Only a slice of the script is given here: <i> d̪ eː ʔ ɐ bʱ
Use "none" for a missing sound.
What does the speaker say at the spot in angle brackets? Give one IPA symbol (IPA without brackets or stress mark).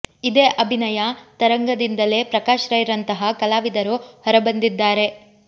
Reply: i